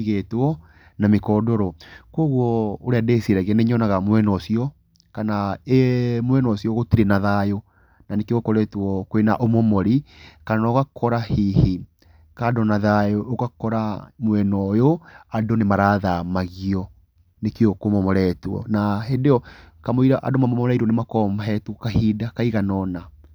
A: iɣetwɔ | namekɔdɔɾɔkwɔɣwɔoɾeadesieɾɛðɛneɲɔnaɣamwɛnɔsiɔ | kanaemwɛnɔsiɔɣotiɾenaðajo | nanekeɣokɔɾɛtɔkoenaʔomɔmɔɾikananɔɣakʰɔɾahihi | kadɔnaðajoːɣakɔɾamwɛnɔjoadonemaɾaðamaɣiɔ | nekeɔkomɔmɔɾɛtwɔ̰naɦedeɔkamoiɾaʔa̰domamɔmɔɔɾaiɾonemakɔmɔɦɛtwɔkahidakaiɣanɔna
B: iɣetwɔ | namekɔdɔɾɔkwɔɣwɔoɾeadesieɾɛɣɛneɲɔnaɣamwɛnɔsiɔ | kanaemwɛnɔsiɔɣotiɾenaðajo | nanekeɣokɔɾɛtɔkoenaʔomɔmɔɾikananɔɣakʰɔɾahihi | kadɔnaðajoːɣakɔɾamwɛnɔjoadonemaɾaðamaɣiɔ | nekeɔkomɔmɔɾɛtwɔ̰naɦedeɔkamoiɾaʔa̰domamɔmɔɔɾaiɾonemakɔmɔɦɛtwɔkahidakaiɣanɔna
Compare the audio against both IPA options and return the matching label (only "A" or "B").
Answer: B